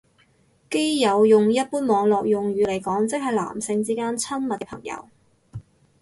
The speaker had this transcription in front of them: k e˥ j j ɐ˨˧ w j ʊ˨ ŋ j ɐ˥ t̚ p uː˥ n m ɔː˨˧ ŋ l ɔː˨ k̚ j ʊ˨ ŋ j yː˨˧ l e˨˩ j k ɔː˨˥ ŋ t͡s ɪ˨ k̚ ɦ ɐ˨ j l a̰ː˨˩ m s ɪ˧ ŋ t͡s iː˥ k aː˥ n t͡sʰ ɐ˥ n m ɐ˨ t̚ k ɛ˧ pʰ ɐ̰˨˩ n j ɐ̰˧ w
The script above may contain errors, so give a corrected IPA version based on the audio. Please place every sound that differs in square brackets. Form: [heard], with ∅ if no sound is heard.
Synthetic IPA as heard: k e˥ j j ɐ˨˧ w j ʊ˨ ŋ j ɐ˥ t̚ p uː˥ n m ɔː˨˧ ŋ l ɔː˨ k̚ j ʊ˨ ŋ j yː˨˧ l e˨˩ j k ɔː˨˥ ŋ t͡s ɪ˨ k̚ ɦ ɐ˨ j l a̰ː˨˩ m s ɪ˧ ŋ t͡s iː˥ k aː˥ n t͡sʰ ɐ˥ n m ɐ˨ t̚ k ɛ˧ pʰ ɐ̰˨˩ [ŋ] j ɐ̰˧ w